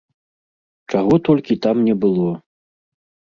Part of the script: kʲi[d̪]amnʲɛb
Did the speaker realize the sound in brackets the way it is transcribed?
no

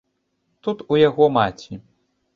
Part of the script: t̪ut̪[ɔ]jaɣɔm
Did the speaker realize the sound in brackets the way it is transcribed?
no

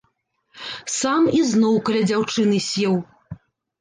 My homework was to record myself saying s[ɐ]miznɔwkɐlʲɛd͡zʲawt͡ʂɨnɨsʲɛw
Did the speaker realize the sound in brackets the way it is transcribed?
no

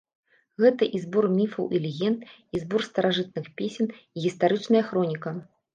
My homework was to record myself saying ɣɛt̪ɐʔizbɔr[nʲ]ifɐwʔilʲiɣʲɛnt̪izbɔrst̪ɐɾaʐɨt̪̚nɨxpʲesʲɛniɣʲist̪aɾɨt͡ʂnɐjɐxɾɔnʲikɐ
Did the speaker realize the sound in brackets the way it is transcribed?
no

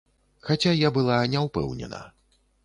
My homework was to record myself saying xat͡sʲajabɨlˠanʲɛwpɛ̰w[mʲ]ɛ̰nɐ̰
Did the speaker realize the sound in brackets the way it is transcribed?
no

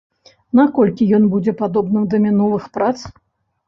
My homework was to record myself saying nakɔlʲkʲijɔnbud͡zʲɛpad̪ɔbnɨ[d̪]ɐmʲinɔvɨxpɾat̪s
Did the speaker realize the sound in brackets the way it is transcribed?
yes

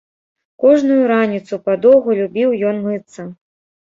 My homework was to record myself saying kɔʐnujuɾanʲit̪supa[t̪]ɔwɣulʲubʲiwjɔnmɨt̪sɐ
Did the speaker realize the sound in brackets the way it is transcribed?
no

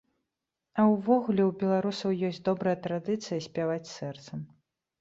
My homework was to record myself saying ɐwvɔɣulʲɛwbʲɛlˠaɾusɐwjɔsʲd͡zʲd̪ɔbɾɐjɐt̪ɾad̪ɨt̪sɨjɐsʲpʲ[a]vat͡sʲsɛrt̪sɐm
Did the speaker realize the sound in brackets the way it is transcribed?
yes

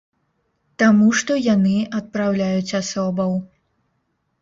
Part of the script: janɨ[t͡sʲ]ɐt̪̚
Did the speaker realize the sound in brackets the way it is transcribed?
no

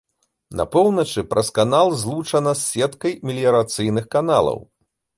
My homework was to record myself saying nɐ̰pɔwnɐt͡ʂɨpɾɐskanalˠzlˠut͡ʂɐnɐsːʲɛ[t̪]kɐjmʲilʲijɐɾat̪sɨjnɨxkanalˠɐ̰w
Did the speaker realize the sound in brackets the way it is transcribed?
yes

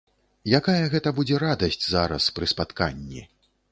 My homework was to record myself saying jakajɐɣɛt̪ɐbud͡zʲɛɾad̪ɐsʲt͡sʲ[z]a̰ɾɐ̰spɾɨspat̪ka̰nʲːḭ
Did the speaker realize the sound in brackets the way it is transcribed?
yes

